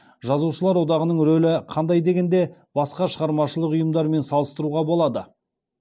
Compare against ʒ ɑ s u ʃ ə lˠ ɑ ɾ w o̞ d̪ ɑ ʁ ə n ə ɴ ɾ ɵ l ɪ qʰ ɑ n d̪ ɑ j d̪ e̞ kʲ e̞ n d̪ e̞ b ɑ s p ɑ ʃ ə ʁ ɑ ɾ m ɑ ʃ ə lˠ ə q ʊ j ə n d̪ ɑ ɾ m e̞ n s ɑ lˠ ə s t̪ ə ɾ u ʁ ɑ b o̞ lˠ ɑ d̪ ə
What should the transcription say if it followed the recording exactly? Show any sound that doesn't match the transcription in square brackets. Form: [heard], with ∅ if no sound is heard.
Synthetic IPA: ʒ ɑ [z] u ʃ ə lˠ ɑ ɾ w o̞ d̪ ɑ ʁ ə n ə ɴ ɾ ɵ l ɪ qʰ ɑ n d̪ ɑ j d̪ e̞ [ɡʲ] e̞ n d̪ e̞ b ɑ s [q] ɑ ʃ ə ʁ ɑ ɾ m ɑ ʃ ə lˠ ə q ʊ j ə [m] d̪ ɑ ɾ m e̞ n s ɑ lˠ ə s t̪ ə ɾ u ʁ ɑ b o̞ lˠ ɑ d̪ ə